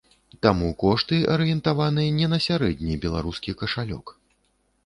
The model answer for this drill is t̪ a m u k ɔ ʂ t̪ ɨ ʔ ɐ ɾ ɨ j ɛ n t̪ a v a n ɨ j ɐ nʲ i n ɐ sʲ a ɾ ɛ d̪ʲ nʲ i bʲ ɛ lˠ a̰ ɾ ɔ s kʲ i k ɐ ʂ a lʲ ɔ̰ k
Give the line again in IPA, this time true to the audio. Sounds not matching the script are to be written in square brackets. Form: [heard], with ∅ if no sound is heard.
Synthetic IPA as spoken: t̪ a m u k ɔ ʂ t̪ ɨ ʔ ɐ ɾ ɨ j ɛ n t̪ a v a n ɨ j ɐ nʲ [ɛ] n ɐ sʲ a ɾ ɛ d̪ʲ nʲ i bʲ ɛ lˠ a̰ ɾ [u] s kʲ i k ɐ ʂ a lʲ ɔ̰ k